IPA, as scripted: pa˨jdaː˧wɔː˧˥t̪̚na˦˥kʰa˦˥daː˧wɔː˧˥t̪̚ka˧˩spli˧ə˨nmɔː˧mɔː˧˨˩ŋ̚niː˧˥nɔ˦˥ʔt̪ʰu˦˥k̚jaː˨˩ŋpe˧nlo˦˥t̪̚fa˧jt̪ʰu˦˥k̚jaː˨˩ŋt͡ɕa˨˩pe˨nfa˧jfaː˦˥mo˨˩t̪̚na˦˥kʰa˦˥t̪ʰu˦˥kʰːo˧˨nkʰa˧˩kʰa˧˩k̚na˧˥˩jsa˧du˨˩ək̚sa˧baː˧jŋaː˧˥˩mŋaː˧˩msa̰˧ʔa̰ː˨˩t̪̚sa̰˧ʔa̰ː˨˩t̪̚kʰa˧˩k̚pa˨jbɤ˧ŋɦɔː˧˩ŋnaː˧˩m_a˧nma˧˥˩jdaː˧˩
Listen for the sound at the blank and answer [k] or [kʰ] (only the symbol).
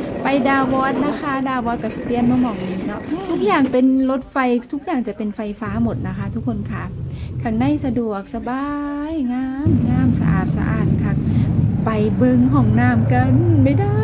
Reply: k